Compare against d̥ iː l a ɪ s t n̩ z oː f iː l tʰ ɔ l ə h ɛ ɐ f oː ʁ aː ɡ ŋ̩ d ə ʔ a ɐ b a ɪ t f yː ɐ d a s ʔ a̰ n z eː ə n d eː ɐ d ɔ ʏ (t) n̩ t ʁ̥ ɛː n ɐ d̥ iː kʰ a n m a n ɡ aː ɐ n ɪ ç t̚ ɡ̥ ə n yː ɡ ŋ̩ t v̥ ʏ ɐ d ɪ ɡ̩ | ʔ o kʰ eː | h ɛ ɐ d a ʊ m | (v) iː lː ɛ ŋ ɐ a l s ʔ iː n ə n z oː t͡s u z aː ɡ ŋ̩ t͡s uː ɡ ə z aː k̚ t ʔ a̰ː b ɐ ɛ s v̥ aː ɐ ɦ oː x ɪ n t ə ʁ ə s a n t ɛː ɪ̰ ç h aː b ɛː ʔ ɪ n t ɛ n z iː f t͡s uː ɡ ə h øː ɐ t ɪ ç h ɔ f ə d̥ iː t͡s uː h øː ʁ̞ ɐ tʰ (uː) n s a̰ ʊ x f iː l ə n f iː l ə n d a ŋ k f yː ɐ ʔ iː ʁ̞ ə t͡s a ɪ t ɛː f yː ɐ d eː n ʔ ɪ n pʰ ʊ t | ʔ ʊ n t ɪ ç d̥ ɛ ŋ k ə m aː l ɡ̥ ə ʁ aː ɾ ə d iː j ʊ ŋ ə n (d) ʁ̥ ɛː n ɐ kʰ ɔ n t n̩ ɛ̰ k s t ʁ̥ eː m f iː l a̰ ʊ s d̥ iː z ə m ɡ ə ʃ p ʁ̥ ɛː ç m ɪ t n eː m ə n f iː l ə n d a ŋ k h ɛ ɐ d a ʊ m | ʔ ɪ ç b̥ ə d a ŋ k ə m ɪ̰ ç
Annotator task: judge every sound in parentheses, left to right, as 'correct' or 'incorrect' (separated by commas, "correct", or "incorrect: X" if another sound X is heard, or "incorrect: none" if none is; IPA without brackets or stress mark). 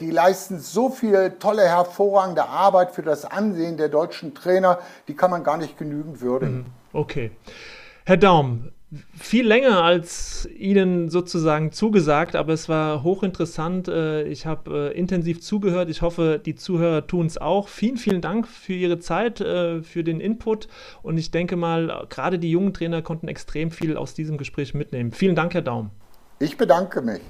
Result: incorrect: t͡ʃ, incorrect: f, correct, incorrect: t